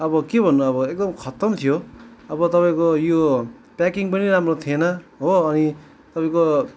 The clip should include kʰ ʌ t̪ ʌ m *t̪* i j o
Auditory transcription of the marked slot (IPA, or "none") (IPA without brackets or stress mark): t̪ʰ